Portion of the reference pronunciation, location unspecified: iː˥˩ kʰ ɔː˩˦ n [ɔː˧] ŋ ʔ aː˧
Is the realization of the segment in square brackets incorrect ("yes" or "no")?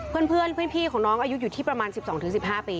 yes